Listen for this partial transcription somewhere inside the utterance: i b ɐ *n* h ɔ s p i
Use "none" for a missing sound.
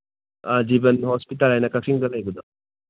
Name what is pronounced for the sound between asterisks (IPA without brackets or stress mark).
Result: n